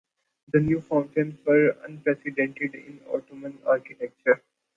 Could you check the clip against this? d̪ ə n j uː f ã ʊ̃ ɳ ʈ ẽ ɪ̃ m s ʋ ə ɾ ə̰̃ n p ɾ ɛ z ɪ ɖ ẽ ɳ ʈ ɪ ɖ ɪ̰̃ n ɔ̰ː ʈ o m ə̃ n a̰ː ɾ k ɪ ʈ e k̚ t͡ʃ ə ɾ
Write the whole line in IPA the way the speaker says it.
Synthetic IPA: d̪ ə n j uː f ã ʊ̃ ɳ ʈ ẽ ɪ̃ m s ʋ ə ɾ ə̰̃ n p ɾ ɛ s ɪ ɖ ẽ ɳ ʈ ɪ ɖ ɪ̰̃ n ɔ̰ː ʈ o m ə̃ n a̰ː ɾ k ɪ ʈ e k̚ t͡ʃ ə ɾ